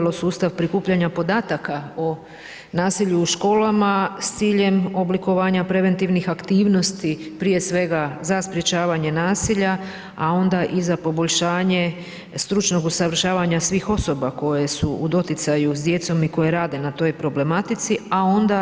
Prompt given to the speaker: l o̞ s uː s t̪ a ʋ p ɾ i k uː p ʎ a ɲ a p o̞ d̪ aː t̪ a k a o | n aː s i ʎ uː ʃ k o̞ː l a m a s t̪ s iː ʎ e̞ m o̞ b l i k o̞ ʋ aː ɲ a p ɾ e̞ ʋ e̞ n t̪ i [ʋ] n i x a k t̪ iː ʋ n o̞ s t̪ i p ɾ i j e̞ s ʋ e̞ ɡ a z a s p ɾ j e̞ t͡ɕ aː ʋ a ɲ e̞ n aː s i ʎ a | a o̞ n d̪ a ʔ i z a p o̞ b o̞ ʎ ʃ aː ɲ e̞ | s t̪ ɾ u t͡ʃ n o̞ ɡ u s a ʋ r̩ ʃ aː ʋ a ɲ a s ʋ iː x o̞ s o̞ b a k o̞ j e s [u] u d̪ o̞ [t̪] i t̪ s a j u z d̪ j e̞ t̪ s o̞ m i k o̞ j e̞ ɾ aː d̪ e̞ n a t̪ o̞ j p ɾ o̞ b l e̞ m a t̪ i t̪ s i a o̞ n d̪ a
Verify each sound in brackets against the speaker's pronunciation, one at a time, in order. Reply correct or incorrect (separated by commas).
correct, correct, correct